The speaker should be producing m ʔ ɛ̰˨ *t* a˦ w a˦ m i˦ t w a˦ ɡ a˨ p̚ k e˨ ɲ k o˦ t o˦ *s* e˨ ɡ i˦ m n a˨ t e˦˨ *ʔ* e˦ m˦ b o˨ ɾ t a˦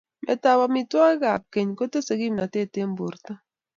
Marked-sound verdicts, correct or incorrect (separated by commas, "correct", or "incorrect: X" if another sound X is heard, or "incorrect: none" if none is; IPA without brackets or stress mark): correct, correct, incorrect: t